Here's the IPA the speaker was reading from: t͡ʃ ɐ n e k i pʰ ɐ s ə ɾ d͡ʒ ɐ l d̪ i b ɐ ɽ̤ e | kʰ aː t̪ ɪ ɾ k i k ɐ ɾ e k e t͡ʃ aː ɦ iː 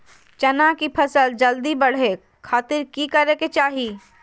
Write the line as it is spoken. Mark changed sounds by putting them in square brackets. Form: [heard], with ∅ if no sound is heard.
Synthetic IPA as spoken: t͡ʃ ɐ n [a] k i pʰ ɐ s ə [l] d͡ʒ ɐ l d̪ i b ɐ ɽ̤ e | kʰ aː t̪ ɪ ɾ k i k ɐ ɾ e k e t͡ʃ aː ɦ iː